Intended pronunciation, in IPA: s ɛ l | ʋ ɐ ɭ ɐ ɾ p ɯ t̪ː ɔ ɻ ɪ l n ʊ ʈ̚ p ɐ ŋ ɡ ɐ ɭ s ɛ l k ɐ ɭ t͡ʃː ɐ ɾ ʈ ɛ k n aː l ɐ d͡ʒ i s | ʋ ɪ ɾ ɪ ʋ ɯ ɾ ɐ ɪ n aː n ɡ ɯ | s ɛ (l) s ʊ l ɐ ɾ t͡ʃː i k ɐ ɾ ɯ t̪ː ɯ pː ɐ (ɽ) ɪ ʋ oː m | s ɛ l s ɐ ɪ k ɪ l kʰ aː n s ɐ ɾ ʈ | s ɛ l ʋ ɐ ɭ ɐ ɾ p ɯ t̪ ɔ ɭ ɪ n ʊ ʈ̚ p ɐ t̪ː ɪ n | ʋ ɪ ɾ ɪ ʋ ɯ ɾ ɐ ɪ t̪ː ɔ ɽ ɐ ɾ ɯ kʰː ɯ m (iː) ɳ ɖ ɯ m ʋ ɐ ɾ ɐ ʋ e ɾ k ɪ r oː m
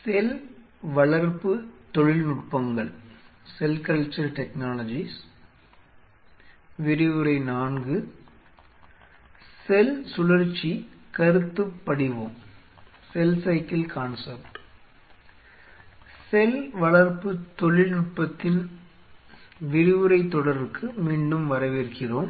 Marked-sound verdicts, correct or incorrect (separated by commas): correct, correct, correct